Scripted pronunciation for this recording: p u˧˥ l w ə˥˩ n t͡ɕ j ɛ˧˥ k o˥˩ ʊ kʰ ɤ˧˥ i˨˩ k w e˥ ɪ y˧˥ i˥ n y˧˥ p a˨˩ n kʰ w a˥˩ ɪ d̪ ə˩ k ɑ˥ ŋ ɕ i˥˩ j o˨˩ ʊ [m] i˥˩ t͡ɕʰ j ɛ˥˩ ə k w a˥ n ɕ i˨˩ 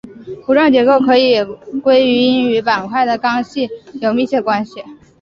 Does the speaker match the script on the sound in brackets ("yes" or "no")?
yes